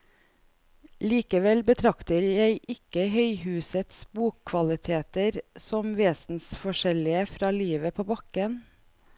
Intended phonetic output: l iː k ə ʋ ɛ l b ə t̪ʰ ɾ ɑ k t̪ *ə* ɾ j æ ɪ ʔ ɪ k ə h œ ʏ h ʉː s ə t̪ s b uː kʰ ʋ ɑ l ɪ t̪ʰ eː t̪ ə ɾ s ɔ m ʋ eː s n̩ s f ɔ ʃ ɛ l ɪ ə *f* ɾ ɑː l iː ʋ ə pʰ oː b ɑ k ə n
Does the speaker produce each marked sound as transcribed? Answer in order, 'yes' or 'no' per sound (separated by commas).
yes, yes